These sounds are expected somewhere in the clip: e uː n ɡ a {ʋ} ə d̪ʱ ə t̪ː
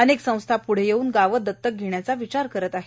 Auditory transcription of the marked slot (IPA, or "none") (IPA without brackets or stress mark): ʋ